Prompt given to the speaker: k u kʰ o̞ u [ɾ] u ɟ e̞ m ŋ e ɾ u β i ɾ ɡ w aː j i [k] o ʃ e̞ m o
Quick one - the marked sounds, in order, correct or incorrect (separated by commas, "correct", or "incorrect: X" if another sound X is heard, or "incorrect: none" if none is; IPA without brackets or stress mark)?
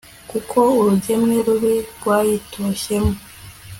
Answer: correct, incorrect: t